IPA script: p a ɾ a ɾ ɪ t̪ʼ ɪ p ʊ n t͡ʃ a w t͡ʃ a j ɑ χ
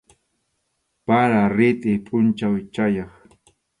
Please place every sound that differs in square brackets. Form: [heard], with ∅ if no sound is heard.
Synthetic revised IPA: p a ɾ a ɾ ɪ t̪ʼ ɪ [pʼ] ʊ n t͡ʃ a w t͡ʃ a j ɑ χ